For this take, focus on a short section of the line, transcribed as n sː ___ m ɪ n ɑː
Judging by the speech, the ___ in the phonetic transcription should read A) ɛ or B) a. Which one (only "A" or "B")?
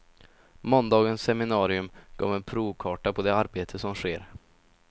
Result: A